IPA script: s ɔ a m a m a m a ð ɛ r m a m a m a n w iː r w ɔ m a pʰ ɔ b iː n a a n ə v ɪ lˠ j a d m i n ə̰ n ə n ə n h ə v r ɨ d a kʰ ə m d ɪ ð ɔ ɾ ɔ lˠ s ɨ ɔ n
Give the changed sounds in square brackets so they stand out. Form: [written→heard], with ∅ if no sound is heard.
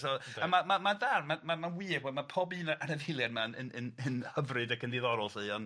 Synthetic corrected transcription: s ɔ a m a m a m a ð [ɛ→a] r m a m a m a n w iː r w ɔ m a pʰ ɔ b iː n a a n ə v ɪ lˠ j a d m [i→a] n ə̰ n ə n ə n h ə v r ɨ d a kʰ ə [m→n] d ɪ ð ɔ ɾ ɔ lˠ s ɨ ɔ n